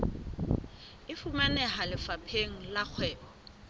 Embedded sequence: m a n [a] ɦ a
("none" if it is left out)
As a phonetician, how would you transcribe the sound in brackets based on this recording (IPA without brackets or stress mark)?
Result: ɛ